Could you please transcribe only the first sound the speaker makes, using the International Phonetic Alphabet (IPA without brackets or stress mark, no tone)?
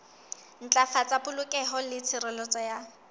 n̩